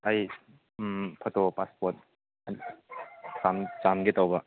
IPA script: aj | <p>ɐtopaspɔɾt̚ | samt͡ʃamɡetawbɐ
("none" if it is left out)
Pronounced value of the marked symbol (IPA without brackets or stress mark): pʰ